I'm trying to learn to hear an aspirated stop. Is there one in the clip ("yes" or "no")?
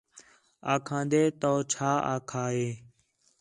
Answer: yes